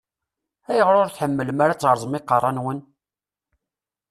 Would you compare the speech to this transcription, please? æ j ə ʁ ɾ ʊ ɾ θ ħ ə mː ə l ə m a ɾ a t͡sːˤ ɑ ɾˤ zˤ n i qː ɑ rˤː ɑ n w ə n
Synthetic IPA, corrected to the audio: æ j ə ʁ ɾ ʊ ɾ θ ħ ə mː ə l ə m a ɾ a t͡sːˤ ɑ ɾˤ zˤ m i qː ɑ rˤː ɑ n w ə n